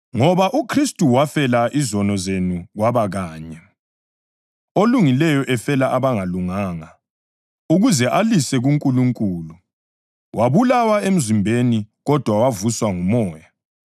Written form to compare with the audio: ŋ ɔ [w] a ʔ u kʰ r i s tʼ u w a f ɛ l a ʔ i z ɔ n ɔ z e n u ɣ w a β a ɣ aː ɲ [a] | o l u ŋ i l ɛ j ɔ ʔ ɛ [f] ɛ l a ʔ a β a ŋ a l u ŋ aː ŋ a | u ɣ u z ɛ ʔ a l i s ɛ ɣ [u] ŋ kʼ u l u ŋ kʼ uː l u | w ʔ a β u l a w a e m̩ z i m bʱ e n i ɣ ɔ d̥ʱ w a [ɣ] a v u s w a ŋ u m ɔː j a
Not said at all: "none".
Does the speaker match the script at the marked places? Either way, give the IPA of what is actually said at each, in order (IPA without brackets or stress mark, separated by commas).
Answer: β, ɛ, f, u, w